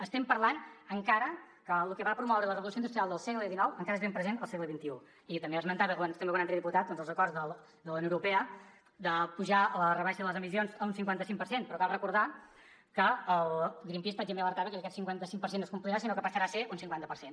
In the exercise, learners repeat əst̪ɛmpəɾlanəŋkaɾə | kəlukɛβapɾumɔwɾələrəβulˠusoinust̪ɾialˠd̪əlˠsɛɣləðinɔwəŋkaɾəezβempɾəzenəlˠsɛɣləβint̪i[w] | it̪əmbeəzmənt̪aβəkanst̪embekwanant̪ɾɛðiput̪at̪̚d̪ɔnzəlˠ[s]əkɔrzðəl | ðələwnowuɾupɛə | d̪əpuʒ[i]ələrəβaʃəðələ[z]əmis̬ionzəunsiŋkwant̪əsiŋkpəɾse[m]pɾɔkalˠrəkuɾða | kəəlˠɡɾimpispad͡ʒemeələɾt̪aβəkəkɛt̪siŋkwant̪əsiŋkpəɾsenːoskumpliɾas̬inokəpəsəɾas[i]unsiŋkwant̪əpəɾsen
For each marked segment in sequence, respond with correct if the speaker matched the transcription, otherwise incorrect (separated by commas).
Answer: incorrect, incorrect, incorrect, correct, incorrect, incorrect